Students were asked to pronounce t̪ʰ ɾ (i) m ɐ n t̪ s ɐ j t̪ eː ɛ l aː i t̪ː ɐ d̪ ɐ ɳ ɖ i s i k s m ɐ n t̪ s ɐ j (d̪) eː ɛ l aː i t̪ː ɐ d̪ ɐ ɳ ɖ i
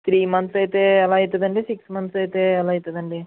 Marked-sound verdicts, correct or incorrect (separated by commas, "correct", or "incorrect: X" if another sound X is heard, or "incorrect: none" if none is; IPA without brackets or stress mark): incorrect: iː, incorrect: t̪